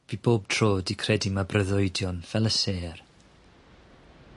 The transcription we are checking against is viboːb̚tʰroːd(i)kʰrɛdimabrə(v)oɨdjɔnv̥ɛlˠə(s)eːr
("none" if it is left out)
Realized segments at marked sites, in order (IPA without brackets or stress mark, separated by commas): i, ð, s